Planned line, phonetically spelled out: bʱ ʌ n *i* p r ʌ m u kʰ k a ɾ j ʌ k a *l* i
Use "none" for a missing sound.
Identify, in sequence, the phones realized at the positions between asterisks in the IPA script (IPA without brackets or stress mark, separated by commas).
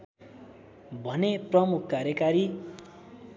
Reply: e, ɾ